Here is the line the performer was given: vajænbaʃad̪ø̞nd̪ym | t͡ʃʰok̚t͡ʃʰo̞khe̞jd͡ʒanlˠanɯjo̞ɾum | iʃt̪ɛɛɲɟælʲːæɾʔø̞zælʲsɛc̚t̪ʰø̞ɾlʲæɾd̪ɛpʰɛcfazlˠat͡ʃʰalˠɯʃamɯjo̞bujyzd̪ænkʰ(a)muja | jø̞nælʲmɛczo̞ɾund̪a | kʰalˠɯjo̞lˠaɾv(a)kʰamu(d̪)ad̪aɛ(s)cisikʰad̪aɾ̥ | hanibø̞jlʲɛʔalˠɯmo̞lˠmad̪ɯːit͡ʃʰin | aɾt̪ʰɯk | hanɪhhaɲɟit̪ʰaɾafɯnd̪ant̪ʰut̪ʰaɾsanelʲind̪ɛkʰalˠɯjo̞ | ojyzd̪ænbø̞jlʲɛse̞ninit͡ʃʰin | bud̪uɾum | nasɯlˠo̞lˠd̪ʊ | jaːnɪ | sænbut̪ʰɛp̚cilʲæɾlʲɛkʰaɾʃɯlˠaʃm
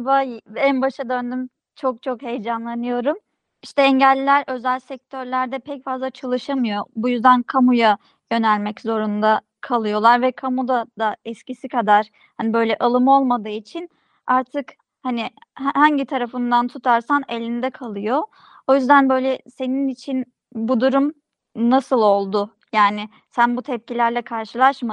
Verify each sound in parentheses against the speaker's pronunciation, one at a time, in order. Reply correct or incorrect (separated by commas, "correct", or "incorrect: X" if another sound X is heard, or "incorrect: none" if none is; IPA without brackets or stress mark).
correct, incorrect: ɛ, correct, correct